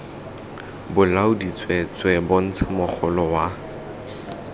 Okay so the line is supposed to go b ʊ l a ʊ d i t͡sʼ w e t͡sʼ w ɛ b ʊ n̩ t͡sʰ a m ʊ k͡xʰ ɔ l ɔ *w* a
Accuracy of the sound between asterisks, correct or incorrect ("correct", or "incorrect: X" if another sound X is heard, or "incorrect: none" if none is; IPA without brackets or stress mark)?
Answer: correct